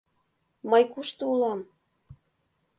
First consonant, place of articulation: labial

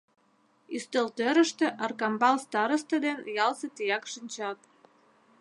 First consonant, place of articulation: alveolar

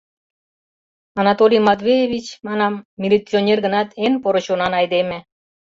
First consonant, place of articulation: alveolar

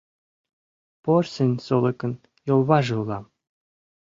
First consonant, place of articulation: labial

